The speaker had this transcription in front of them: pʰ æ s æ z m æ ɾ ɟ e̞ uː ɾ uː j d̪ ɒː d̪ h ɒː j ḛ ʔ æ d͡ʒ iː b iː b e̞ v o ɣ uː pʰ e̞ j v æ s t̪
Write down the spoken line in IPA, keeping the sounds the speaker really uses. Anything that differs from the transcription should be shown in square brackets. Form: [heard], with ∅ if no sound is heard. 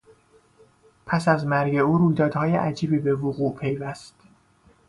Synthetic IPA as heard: pʰ æ s æ z m æ ɾ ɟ e̞ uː ɾ uː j d̪ ɒː d̪ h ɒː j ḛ ʔ æ d͡ʒ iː b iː b e̞ v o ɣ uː pʰ e̞ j v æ s t̪